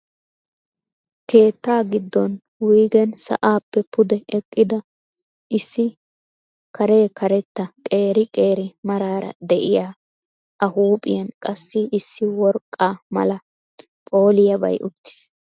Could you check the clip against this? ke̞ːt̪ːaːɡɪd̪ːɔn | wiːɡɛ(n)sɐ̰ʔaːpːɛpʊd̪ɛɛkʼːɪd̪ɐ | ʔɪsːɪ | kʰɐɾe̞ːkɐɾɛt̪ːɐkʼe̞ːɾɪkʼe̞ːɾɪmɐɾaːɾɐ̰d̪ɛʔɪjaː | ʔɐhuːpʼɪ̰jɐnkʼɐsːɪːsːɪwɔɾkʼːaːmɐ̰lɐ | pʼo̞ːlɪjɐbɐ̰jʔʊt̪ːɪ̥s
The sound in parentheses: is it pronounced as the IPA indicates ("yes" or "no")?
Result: yes